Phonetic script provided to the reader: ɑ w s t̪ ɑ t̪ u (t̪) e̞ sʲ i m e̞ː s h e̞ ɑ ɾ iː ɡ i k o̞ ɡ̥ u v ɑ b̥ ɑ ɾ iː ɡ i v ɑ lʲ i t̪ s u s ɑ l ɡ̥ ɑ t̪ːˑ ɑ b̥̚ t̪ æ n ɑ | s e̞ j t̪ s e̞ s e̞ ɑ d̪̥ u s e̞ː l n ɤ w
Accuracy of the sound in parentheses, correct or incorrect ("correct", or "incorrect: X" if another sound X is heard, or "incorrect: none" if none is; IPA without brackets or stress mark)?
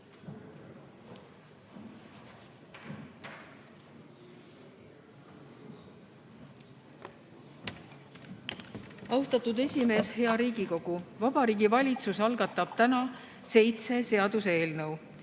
incorrect: d̪